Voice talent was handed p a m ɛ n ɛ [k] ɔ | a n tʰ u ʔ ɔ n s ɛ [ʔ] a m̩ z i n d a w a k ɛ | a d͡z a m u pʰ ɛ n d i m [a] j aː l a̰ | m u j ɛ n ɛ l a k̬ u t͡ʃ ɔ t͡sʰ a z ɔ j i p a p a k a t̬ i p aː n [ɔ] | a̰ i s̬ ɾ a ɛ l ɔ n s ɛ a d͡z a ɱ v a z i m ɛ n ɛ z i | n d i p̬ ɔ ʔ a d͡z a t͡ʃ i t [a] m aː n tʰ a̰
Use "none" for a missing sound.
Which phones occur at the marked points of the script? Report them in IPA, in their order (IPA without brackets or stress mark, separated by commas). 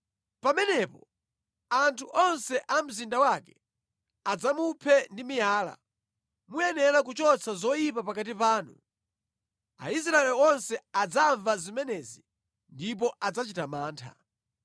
p, ʔ, i, u, a